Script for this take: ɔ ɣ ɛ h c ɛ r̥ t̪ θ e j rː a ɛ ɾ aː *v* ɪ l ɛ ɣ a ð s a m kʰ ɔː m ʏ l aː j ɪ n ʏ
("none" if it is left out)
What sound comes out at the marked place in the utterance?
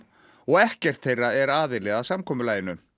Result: ð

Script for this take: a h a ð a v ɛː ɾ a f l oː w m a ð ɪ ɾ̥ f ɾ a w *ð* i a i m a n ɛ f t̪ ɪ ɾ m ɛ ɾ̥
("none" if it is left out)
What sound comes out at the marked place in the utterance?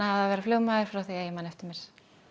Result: θ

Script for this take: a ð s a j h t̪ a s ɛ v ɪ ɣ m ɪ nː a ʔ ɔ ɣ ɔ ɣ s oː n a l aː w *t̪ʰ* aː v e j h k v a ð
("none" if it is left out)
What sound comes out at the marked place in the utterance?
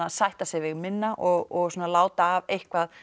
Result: t̪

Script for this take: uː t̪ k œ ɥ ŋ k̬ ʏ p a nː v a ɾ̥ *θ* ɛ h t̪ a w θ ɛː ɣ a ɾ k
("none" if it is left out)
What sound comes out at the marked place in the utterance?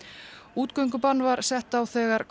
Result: s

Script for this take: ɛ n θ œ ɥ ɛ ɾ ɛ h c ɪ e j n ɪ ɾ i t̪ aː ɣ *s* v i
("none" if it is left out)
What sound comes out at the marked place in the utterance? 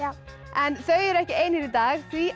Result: θ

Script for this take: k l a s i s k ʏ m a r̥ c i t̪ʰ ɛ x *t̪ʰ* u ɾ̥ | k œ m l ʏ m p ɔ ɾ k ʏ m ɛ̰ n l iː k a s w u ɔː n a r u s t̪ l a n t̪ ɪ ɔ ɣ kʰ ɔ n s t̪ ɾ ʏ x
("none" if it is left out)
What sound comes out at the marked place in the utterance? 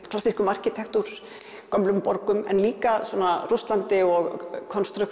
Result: t̪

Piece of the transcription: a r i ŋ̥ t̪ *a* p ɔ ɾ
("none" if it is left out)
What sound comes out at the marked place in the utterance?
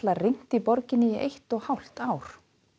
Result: i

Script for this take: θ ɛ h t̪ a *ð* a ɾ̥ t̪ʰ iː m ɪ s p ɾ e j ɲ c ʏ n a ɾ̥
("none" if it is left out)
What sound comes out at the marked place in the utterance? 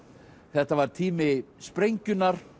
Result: v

